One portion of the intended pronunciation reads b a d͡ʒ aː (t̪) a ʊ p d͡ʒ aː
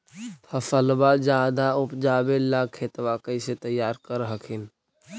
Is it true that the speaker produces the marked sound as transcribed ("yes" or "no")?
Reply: no